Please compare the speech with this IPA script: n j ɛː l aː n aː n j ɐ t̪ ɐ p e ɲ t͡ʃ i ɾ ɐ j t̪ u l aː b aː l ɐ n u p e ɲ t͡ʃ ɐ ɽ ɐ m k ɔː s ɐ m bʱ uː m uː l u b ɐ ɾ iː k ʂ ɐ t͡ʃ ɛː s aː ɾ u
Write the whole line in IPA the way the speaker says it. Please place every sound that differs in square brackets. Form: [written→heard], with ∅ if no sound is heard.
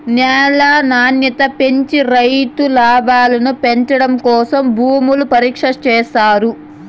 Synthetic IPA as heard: n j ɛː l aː n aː n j ɐ t̪ ɐ p e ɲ t͡ʃ i ɾ ɐ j t̪ u l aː b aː l ɐ n u p e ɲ t͡ʃ ɐ ɽ ɐ m k ɔː s ɐ m bʱ uː m [uː→u] l u [b→p] ɐ ɾ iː k ʂ ɐ t͡ʃ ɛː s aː ɾ u